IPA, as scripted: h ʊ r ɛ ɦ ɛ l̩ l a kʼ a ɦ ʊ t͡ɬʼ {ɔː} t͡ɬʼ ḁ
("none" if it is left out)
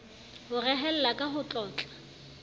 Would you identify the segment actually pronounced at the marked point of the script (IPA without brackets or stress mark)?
ɔː